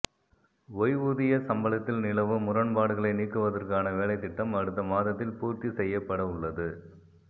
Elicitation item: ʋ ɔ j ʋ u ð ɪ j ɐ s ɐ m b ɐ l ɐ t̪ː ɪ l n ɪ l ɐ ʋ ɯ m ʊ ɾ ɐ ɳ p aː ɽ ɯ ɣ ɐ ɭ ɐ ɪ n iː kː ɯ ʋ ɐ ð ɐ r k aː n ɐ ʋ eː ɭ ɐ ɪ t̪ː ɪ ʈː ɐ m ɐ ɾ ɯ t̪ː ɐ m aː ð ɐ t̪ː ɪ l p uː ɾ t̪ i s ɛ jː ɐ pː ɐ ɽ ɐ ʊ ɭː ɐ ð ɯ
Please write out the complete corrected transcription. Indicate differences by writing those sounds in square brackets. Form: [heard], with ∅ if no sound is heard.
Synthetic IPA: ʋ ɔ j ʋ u ð ɪ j ɐ s ɐ m b ɐ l ɐ t̪ː ɪ l n ɪ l ɐ ʋ ɯ m ʊ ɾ ɐ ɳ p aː ɽ ɯ ɣ ɐ ɭ ɐ ɪ n iː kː ɯ ʋ ɐ ð ɐ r k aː n ɐ ʋ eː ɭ ɐ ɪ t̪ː ɪ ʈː ɐ m ɐ [ɽ] ɯ t̪ː ɐ m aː ð ɐ t̪ː ɪ l p uː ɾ t̪ i s ɛ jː ɐ pː ɐ ɽ ɐ ʊ ɭː ɐ ð ɯ